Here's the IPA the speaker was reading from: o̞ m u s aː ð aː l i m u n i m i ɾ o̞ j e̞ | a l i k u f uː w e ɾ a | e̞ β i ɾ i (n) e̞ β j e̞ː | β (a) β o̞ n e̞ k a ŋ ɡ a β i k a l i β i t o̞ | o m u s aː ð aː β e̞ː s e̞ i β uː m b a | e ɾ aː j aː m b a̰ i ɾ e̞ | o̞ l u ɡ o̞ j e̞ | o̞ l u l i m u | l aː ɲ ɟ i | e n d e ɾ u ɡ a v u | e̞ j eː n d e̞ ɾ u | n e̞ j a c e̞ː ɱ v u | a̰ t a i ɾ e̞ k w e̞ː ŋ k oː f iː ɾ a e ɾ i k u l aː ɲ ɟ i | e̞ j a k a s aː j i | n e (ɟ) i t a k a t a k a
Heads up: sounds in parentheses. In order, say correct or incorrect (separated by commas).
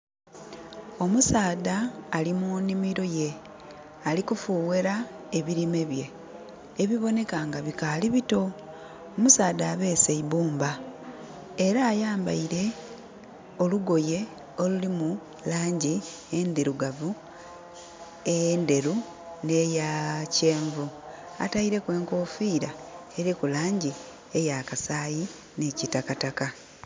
incorrect, incorrect, incorrect